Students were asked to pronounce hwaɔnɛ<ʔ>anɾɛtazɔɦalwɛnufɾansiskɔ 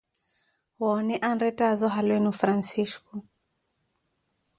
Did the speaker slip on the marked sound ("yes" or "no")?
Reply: no